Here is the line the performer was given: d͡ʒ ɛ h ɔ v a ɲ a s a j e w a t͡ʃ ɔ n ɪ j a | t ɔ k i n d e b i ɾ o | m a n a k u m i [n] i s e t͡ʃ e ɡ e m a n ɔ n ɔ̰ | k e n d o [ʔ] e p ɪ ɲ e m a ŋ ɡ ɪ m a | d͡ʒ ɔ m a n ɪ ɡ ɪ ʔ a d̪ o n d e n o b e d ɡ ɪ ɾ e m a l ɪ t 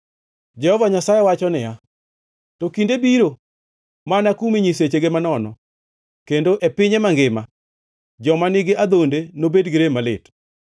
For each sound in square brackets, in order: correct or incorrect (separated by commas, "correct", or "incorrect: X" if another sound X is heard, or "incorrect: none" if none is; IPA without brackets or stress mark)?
incorrect: ɲ, correct